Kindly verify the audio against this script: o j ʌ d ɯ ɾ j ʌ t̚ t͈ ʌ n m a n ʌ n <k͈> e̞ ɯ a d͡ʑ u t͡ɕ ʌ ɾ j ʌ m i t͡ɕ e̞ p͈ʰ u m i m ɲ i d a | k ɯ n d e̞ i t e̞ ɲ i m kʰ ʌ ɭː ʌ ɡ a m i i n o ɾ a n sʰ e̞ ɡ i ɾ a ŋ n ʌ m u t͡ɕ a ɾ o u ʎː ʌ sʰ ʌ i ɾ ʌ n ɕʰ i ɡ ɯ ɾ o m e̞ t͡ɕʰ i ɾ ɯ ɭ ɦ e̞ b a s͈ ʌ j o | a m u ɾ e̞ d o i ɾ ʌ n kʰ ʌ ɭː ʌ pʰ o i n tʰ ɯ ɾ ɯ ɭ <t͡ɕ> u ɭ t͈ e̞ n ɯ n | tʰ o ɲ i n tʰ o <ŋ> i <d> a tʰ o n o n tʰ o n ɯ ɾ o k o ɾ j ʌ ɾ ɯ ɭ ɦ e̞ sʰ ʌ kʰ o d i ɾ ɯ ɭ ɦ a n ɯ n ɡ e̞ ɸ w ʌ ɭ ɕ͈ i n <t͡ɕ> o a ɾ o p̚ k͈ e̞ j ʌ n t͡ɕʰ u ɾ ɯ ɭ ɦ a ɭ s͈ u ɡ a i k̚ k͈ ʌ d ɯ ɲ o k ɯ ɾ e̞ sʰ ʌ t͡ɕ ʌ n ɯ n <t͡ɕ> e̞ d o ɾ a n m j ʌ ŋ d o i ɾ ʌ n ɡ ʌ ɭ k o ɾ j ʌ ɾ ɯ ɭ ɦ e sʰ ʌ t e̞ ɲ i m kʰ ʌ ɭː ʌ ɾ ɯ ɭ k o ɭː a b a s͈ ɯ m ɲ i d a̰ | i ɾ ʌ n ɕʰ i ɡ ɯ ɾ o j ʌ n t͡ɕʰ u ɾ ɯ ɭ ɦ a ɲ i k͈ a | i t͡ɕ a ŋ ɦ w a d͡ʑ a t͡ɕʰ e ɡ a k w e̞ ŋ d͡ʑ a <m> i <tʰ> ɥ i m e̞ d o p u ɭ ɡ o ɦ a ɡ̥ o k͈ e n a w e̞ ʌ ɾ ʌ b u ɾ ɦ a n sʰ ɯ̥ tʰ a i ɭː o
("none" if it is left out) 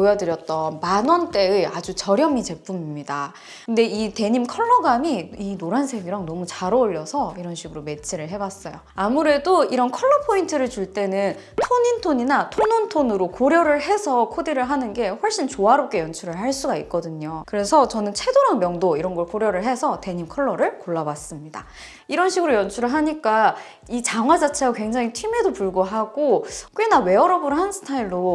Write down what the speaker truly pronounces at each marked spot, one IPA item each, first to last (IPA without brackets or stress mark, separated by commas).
t͈, t͡ɕ, ɲ, n, t͡ɕ, t͡ɕʰ, ŋ, tʰ